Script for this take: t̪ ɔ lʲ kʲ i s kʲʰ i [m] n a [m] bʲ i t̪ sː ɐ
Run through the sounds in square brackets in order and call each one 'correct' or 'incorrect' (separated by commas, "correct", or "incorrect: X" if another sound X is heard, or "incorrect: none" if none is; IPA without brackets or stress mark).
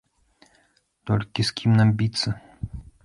correct, correct